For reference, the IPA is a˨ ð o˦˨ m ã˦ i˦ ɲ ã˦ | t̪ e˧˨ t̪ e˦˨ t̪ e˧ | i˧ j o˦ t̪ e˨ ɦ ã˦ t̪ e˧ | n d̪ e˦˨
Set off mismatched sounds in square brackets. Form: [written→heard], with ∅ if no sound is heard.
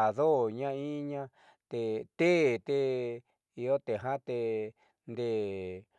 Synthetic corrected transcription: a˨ ð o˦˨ [m→ɲ] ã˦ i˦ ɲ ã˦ | t̪ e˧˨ t̪ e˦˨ t̪ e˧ | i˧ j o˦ t̪ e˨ ɦ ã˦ t̪ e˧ | n d̪ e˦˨